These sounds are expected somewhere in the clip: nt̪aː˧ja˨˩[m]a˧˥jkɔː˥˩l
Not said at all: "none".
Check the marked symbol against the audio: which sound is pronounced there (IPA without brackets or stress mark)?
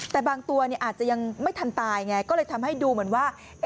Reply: ŋ